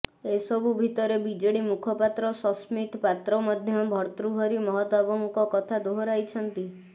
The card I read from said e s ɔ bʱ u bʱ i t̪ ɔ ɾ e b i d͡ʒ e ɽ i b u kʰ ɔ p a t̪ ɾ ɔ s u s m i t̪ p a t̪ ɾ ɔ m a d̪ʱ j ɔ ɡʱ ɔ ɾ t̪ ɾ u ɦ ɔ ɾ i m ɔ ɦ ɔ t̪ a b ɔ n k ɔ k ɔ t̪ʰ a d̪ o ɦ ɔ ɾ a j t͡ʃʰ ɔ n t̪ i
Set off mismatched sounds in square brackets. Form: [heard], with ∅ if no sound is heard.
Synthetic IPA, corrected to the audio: e s ɔ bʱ u bʱ i t̪ ɔ ɾ e b i d͡ʒ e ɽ i [m] u kʰ ɔ p a t̪ ɾ ɔ s [ɔ] s m i t̪ p a t̪ ɾ ɔ m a d̪ʱ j ɔ [bʱ] ɔ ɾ t̪ ɾ u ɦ ɔ ɾ i m ɔ ɦ ɔ t̪ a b ɔ [ŋ] k ɔ k ɔ t̪ʰ a d̪ o ɦ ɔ ɾ a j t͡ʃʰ ɔ n t̪ i